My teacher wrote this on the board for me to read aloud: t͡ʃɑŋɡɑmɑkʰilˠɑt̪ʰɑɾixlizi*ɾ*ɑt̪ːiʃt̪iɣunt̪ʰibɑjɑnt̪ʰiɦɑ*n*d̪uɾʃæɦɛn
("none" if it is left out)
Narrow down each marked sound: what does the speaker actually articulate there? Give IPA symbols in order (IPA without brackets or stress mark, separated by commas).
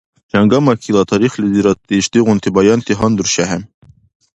ɾ, n